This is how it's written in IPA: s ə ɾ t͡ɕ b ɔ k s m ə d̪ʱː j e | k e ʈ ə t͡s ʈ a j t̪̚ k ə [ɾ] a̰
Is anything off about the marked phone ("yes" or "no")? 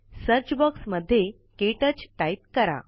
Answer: no